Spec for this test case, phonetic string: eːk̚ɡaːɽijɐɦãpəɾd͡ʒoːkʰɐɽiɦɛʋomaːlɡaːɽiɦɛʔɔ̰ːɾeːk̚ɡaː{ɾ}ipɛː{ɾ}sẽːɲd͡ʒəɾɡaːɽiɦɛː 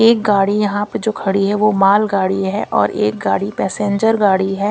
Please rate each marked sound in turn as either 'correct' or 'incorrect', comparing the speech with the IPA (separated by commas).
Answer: incorrect, incorrect